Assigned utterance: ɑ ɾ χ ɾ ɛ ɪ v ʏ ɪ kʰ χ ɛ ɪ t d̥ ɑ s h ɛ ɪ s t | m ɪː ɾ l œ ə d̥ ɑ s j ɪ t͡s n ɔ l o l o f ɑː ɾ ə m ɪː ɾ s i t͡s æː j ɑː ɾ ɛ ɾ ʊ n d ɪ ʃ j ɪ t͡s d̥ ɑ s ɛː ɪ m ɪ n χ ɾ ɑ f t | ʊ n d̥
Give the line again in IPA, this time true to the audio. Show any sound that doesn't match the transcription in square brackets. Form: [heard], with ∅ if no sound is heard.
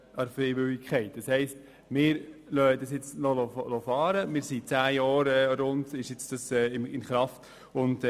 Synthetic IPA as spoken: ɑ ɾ [f] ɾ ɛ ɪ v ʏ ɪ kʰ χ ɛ ɪ t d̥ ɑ s h ɛ ɪ s t | m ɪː ɾ l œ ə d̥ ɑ s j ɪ t͡s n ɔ l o l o f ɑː ɾ ə m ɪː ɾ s i t͡s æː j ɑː ɾ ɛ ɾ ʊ n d ɪ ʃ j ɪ t͡s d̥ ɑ s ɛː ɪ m ɪ n χ ɾ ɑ f t | ʊ n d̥